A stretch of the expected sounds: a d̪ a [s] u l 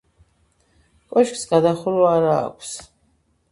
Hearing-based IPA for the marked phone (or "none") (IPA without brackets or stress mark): χ